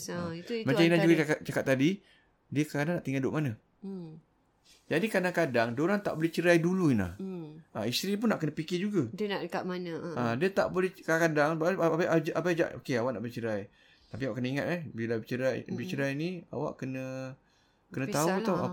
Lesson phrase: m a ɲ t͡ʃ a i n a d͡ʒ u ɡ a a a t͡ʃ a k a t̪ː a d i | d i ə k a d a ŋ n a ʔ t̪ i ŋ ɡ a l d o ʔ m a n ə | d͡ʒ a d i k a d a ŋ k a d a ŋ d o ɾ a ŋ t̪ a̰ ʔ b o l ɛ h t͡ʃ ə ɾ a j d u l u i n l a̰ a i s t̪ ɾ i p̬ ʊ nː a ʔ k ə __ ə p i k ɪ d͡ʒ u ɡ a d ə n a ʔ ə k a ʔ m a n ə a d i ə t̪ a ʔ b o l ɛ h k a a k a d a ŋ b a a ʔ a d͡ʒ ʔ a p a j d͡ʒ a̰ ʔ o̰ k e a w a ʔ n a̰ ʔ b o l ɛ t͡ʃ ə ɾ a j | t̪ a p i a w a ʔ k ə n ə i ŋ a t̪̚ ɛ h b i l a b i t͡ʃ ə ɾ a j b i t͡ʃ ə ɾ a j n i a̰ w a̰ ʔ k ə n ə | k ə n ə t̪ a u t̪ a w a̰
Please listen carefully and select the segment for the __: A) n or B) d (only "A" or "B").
A